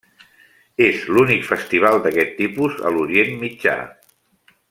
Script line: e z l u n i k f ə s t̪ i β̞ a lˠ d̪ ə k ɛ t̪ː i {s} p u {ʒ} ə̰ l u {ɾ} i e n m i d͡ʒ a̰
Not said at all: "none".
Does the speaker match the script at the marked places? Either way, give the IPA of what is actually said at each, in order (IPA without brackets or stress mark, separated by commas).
none, z, ɾ